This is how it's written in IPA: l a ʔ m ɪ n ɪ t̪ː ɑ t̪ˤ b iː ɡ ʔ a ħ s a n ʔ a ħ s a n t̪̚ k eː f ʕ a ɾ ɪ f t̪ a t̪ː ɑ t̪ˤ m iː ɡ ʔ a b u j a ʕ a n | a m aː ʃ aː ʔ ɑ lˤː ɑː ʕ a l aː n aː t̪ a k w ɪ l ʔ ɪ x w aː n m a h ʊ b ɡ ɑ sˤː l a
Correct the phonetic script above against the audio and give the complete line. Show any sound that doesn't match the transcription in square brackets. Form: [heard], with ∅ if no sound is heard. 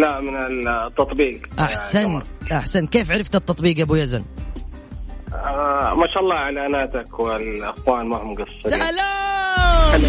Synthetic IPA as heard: l a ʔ m ɪ n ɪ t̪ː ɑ t̪ˤ b iː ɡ ʔ a ħ s a n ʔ a ħ s a n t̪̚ k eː f ʕ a ɾ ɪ f t̪ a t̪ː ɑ t̪ˤ [b] iː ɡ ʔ a b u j a [z] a n | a m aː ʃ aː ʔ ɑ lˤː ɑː ʕ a l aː n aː t̪ a k w ɪ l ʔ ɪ x w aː n m a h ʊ [m] ɡ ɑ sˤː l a